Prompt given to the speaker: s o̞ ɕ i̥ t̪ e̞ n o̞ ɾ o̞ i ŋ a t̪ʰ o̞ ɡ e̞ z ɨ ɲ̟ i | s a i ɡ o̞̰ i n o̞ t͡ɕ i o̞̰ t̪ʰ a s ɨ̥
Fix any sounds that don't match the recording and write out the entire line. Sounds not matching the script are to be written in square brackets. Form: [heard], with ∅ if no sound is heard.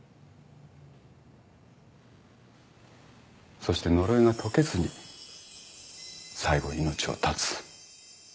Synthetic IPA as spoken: s o̞ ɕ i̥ t̪ e̞ n o̞ ɾ o̞ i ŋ a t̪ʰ o̞ [k] e̞ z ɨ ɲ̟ i | s a i ɡ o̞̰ i n o̞ t͡ɕ i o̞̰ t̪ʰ a [t͡s] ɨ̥

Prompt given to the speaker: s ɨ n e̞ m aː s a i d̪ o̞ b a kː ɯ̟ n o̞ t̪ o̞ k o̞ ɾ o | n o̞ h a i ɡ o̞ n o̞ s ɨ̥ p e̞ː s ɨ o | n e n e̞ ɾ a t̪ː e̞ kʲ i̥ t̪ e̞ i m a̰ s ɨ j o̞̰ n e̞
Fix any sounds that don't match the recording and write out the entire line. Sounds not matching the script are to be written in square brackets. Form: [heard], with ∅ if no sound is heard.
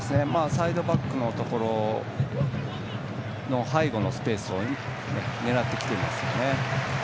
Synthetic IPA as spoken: s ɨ n e̞ m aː s a i d̪ o̞ b a kː ɯ̟ n o̞ t̪ o̞ k o̞ ɾ o | n o̞ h a i ɡ o̞ n o̞ s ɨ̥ p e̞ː s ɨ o | n e n e̞ ɾ a t̪ː e̞ kʲ i̥ t̪ e̞ i m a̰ s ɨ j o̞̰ n e̞

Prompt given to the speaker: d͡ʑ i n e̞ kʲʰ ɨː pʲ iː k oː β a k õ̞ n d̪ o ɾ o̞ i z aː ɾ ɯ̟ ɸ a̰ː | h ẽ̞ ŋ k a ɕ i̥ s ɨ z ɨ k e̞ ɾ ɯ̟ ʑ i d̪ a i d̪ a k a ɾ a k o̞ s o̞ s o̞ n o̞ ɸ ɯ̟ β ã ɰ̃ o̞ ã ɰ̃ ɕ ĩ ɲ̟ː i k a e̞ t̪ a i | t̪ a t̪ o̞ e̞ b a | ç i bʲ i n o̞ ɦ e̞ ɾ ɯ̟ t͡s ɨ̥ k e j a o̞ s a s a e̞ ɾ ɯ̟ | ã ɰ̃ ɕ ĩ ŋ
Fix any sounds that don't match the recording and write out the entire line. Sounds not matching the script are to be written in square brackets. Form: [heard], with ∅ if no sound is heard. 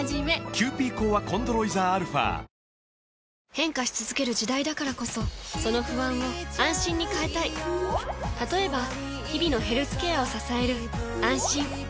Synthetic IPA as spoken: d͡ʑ i [m] e̞ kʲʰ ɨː pʲ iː k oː β a k õ̞ n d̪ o ɾ o̞ i z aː ɾ ɯ̟ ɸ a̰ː | h ẽ̞ ŋ k a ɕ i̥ [t͡s] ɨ z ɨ k e̞ ɾ ɯ̟ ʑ i d̪ a i d̪ a k a ɾ a k o̞ s o̞ s o̞ n o̞ ɸ ɯ̟ β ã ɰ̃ o̞ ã ɰ̃ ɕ ĩ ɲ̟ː i k a e̞ t̪ a i | t̪ a t̪ o̞ e̞ b a | ç i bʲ i n o̞ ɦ e̞ ɾ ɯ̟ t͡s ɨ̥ k e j a o̞ s a s a e̞ ɾ ɯ̟ | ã ɰ̃ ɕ ĩ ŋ

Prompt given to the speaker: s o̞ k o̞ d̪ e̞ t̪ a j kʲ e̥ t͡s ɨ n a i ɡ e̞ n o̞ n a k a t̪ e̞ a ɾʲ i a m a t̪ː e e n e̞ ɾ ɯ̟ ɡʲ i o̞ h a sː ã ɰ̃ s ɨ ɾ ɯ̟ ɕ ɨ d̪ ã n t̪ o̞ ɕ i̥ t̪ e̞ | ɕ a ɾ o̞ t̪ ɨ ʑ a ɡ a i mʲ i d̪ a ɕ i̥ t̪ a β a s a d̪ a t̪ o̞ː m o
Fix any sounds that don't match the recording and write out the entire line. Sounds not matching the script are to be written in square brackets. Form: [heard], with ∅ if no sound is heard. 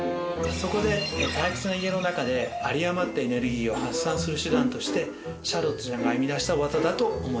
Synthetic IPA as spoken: s o̞ k o̞ d̪ e̞ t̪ a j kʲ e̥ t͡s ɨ n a i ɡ e̞ n o̞ n a k a [d̪] e̞ a ɾʲ i a m a t̪ː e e n e̞ ɾ ɯ̟ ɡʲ [iː] o̞ h a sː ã ɰ̃ s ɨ ɾ ɯ̟ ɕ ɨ d̪ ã n t̪ o̞ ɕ i̥ t̪ e̞ | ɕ a ɾ o̞ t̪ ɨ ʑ a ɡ a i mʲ i d̪ a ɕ i̥ t̪ a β a [z] a d̪ a t̪ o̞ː m o

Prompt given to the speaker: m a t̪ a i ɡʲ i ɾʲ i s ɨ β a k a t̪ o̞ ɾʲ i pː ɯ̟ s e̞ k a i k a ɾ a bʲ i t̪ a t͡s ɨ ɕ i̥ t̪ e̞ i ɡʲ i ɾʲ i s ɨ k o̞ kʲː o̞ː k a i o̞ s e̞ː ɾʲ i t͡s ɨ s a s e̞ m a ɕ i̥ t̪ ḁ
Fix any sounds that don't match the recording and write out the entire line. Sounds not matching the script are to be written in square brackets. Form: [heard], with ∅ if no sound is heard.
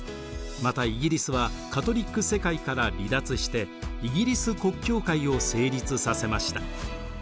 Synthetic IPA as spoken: m a t̪ a i ɡʲ i ɾʲ i s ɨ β a k a t̪ o̞ ɾʲ i [kː] ɯ̟ s e̞ k a i k a ɾ a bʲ i [d̪] a t͡s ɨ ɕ i̥ t̪ e̞ i ɡʲ i ɾʲ i s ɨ k o̞ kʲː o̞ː k a i o̞ s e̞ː ɾʲ i t͡s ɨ s a s e̞ m a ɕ i̥ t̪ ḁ

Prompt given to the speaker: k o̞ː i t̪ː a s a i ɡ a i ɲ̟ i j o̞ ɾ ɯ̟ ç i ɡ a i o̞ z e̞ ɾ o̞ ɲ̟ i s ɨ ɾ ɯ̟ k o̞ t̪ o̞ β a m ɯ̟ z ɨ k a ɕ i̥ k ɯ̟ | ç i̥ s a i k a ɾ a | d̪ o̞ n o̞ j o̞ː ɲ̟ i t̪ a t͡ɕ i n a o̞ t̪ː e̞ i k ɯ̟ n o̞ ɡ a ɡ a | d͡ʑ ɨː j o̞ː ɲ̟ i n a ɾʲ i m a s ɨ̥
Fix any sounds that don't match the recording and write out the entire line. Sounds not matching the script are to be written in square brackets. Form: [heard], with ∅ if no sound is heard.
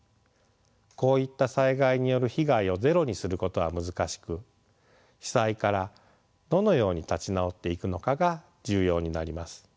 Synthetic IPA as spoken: k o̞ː i t̪ː a s a i ɡ a i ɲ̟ i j o̞ ɾ ɯ̟ ç i ɡ a i o̞ z e̞ ɾ o̞ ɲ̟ i s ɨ ɾ ɯ̟ k o̞ t̪ o̞ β a m ɯ̟ z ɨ k a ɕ i̥ k ɯ̟ | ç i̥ s a i k a ɾ a | d̪ o̞ n o̞ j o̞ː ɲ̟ i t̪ a t͡ɕ i n a o̞ t̪ː e̞ i k ɯ̟ n o̞ [k] a ɡ a | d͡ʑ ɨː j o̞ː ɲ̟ i n a ɾʲ i m a s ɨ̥

